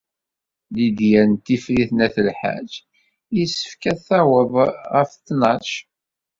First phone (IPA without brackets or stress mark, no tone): l